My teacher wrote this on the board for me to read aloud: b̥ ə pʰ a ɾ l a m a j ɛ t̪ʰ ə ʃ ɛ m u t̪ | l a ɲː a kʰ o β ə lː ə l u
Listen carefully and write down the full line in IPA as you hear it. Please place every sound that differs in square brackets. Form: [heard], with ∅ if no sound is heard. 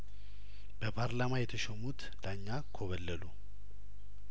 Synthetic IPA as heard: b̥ ə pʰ a ɾ l a m a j ɛ t̪ʰ ə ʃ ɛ m u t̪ | l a ɲː a kʰ o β ə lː ə l u